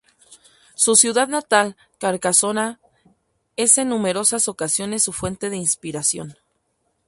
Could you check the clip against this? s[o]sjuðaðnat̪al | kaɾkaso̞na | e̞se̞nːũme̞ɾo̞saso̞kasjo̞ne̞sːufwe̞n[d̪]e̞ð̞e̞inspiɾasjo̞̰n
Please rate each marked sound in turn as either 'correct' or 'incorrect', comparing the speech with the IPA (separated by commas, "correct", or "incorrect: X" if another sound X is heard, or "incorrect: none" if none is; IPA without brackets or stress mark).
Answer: incorrect: u, incorrect: t̪